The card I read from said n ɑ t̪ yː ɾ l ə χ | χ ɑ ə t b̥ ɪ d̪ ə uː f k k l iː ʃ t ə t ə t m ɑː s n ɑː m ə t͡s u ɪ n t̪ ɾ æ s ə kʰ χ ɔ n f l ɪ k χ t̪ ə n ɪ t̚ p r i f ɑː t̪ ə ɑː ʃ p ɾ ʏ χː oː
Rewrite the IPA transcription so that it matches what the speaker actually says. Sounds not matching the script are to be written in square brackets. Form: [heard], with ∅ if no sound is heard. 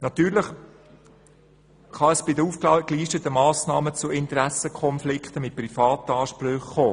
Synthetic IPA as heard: n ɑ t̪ yː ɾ l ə χ | χ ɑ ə [s] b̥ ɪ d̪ ə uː f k k l iː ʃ t ə t ə [∅] m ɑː s n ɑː m ə t͡s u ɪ n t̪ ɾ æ s ə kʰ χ ɔ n f l ɪ k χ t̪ ə [m] ɪ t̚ p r i f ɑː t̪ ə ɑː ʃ p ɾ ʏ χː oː